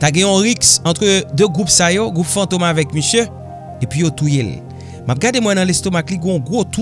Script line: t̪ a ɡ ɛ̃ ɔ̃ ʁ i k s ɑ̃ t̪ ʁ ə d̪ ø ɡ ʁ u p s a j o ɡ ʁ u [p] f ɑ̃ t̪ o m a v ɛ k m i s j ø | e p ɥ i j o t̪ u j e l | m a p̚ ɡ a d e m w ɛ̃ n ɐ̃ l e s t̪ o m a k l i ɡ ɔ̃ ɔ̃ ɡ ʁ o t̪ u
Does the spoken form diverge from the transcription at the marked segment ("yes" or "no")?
no